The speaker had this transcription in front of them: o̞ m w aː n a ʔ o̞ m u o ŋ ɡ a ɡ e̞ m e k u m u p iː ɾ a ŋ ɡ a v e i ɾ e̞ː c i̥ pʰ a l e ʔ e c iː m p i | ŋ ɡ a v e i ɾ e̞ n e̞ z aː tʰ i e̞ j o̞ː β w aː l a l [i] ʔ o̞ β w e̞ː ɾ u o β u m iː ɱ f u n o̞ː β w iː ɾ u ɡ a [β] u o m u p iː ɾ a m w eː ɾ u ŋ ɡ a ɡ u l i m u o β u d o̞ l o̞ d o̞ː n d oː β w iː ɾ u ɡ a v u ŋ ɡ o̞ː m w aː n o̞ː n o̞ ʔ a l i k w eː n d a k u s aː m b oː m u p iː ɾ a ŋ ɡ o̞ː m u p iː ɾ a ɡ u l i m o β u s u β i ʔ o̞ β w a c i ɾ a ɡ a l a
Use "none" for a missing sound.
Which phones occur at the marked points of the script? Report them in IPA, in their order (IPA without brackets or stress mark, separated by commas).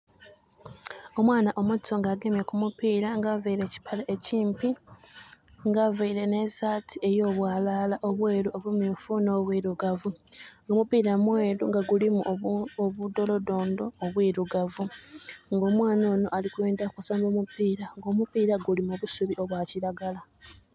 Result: a, v